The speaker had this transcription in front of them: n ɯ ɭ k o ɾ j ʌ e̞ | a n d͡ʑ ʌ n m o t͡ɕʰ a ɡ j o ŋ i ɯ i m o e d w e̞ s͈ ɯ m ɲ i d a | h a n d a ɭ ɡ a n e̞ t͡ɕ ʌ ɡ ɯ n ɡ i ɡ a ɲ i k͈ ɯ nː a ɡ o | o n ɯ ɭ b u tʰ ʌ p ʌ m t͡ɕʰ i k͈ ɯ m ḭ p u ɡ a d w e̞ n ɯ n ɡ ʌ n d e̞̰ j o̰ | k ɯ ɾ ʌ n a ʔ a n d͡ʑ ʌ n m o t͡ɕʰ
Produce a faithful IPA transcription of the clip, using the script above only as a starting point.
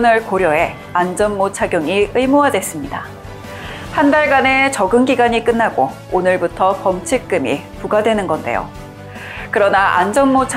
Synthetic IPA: n ɯ ɭ k o ɾ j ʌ e̞ | a n d͡ʑ ʌ n m o t͡ɕʰ a ɡ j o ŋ i ɯ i m o a d w e̞ s͈ ɯ m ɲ i d a | h a n d a ɭ ɡ a n e̞ t͡ɕ ʌ ɡ ɯ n ɡ i ɡ a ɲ i k͈ ɯ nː a ɡ o | o n ɯ ɭ b u tʰ ʌ p ʌ m t͡ɕʰ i k͈ ɯ m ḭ p u ɡ a d w e̞ n ɯ n ɡ ʌ n d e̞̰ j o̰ | k ɯ ɾ ʌ n a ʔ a n d͡ʑ ʌ n m o t͡ɕʰ

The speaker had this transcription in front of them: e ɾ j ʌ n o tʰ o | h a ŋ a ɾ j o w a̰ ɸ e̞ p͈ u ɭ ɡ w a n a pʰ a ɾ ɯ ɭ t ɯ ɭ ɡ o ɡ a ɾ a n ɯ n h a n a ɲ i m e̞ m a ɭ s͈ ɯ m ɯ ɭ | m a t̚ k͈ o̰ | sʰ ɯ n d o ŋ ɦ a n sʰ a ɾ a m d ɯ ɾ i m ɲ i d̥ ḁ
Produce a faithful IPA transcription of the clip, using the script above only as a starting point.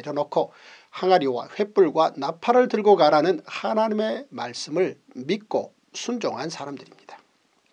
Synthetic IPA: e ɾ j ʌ n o kʰ o | h a ŋ a ɾ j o w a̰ ɸ e̞ p͈ u ɭ ɡ w a n a pʰ a ɾ ɯ ɭ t ɯ ɭ ɡ o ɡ a ɾ a n ɯ n h a n a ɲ i m e̞ m a ɭ s͈ ɯ m ɯ ɭ | m i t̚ k͈ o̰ | sʰ u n d͡ʑ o ŋ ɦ a n sʰ a ɾ a m d ɯ ɾ i m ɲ i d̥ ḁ

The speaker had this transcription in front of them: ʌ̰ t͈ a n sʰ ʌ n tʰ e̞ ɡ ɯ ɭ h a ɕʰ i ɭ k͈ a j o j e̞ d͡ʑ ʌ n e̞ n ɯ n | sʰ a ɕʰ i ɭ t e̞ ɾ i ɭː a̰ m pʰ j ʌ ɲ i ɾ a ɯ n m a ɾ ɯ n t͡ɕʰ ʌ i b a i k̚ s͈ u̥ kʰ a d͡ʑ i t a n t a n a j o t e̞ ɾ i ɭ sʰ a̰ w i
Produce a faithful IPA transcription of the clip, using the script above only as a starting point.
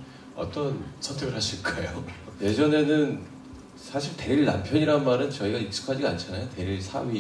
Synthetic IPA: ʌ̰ t͈ ʌ n sʰ ʌ n tʰ e̞ ɡ ɯ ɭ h a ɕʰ i ɭ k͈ a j o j e̞ d͡ʑ ʌ n e̞ n ɯ n | sʰ a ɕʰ i ɭ t e̞ ɾ i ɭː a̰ m pʰ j ʌ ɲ i ɾ a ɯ n m a ɾ ɯ n t͡ɕ ʌ i ɡ a i k̚ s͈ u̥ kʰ a d͡ʑ i a n t͡ɕʰ a n a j o t e̞ ɾ i ɭ sʰ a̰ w i

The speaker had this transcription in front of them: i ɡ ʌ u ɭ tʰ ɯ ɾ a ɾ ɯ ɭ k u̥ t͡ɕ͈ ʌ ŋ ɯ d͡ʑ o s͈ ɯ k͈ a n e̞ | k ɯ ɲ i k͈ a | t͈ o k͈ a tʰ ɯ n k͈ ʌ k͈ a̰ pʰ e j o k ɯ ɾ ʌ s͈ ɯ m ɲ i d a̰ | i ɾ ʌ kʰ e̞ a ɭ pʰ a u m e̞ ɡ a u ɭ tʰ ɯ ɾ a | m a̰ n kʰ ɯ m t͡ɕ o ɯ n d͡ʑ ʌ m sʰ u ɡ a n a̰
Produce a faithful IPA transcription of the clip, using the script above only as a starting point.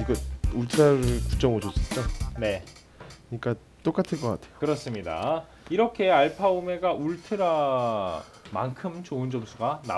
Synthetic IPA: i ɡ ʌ u ɭ tʰ ɯ ɾ a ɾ ɯ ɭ k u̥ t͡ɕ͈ ʌ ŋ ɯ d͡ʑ o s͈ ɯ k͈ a n e̞ | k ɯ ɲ i k͈ a | t͈ o k͈ a tʰ ɯ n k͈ ʌ k͈ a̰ tʰ e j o k ɯ ɾ ʌ s͈ ɯ m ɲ i d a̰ | i ɾ ʌ kʰ e̞ a ɭ pʰ a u m e̞ ɡ a u ɭ tʰ ɯ ɾ a | m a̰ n kʰ ɯ m t͡ɕ o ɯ n d͡ʑ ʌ m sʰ u ɡ a n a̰

